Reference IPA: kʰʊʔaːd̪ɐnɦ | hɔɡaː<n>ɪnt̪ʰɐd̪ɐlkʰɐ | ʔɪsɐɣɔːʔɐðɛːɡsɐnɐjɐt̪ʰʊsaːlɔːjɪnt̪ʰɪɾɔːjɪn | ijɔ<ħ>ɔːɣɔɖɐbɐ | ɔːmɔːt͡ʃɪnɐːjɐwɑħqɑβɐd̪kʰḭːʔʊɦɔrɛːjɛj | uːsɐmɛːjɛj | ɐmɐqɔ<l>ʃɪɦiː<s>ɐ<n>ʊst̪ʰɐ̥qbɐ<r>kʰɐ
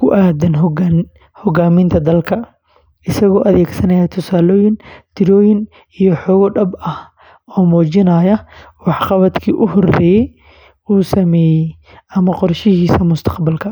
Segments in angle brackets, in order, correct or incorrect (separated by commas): incorrect, correct, incorrect, correct, incorrect, incorrect